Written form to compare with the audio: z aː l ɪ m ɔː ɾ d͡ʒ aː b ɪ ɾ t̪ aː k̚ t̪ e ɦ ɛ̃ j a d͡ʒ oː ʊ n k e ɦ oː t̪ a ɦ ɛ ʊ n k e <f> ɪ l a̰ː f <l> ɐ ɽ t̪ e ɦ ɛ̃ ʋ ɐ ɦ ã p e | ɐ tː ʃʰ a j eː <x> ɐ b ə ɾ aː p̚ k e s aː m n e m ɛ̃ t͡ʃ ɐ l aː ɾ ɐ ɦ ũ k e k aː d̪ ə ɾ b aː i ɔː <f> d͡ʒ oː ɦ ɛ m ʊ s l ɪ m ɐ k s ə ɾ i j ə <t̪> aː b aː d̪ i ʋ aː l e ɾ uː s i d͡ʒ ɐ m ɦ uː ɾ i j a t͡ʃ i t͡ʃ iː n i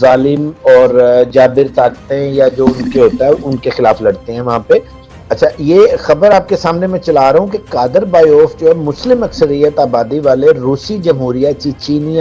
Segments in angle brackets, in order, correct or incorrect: incorrect, correct, correct, correct, correct

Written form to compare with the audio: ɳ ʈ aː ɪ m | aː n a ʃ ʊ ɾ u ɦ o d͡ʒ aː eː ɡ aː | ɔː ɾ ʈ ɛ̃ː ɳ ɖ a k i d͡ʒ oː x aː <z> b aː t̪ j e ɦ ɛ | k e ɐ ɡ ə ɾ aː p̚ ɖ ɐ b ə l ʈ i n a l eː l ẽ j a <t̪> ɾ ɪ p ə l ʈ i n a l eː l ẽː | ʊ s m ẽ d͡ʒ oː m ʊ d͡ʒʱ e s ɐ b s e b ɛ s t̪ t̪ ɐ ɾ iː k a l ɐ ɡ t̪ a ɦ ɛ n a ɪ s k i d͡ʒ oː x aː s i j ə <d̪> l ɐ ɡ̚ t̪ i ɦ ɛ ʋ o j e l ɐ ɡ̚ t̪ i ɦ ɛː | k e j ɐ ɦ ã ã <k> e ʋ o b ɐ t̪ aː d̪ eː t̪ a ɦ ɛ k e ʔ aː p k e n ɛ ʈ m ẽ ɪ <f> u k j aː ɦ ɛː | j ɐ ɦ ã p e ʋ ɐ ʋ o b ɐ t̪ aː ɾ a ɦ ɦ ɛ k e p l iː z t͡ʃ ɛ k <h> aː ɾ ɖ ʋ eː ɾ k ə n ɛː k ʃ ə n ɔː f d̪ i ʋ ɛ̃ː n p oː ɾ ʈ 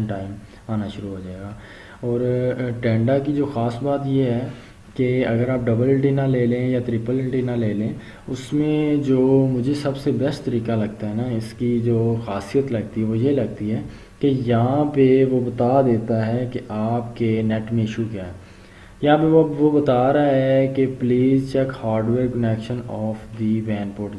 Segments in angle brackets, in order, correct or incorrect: incorrect, correct, incorrect, incorrect, incorrect, correct

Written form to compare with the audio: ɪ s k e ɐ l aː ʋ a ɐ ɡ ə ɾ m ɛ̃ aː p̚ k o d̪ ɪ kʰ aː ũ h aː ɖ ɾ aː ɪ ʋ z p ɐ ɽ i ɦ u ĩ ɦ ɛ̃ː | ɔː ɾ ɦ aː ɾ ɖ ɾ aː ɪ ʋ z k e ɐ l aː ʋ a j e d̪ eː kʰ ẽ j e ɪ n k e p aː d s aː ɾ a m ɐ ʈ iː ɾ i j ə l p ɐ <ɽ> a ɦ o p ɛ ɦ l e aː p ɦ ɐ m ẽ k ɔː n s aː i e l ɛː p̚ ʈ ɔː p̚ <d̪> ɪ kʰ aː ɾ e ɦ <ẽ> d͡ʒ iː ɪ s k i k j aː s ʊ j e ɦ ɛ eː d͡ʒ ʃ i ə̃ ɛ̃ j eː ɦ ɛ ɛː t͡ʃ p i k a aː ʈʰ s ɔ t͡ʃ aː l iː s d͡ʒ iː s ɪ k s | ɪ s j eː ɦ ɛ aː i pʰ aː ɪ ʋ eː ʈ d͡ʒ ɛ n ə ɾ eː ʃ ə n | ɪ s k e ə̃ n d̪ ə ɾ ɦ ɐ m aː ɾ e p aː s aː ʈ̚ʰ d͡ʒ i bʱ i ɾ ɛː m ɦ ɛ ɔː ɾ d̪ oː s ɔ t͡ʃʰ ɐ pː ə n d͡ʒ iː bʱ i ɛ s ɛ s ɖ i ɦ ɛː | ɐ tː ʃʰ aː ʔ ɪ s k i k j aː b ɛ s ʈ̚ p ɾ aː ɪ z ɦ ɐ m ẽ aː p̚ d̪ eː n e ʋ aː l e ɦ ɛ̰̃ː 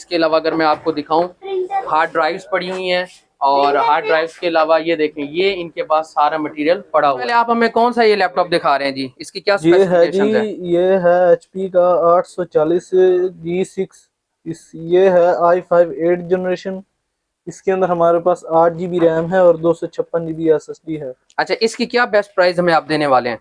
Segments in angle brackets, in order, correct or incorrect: correct, correct, incorrect

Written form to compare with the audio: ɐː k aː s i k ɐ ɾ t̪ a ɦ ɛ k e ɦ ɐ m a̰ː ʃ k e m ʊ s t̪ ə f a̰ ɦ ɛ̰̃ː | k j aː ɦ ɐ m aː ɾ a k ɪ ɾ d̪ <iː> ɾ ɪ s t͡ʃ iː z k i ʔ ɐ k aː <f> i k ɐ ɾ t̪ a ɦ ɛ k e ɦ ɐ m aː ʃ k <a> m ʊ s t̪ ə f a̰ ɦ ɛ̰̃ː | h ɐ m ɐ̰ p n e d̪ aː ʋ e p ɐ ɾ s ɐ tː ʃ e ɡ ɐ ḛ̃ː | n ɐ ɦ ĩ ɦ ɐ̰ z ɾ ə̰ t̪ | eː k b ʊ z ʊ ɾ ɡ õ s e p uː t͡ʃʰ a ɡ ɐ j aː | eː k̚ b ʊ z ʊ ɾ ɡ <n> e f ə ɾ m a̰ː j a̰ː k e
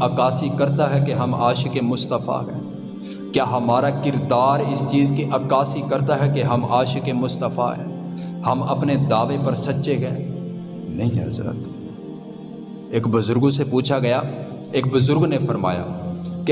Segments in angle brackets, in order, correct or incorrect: incorrect, incorrect, incorrect, correct

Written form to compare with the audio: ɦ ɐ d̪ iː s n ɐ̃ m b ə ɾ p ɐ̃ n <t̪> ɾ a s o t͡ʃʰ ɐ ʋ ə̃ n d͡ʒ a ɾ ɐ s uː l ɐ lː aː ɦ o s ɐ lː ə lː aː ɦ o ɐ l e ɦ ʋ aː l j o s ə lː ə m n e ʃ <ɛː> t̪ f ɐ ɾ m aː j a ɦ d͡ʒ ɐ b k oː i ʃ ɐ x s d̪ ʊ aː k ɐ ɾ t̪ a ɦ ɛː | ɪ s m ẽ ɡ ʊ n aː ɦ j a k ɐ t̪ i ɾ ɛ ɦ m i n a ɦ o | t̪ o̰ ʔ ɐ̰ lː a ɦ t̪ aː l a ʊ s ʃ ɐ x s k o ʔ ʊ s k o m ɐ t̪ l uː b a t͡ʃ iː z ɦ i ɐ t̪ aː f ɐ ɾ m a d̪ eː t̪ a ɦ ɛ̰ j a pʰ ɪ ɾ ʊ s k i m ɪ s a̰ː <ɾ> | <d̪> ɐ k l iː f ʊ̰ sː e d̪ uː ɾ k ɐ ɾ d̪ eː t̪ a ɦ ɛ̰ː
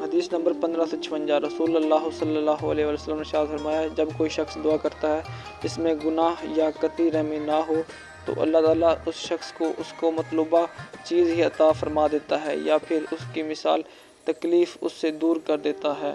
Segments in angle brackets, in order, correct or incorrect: incorrect, incorrect, incorrect, incorrect

